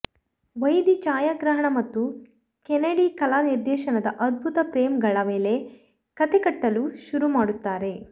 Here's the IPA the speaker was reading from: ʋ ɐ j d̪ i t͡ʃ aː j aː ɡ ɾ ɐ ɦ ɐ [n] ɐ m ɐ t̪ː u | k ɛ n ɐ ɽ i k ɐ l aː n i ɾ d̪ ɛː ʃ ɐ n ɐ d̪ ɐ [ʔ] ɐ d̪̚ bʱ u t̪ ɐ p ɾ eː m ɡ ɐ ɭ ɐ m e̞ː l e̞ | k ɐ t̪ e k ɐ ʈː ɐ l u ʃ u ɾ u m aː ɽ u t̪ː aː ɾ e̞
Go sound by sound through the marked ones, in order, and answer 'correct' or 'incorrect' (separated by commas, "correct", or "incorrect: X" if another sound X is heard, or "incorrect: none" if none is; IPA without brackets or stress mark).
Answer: incorrect: ɳ, correct